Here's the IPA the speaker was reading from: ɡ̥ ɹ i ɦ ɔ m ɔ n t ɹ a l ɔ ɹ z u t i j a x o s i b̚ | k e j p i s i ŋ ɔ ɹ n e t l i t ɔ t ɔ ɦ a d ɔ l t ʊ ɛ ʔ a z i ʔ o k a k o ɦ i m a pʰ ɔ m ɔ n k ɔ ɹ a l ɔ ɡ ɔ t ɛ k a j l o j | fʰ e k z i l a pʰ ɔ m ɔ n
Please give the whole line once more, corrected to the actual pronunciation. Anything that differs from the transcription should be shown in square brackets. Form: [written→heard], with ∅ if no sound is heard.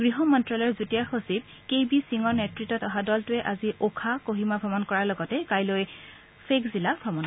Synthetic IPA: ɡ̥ ɹ i ɦ ɔ m ɔ n t ɹ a l ɔ ɹ z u t i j a x o s i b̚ | k e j [p→b] i s i ŋ ɔ ɹ n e t [l→ɹ] i t ɔ t ɔ ɦ a d ɔ l t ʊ ɛ ʔ a z i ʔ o [k→kʰ] a k o ɦ i m a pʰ ɔ m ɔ n k ɔ ɹ a l ɔ ɡ ɔ t ɛ k a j l o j | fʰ e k z i l a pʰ ɔ m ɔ n